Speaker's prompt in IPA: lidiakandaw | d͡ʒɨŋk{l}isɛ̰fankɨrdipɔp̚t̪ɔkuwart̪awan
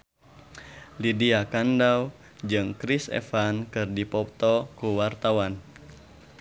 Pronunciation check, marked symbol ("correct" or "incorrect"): incorrect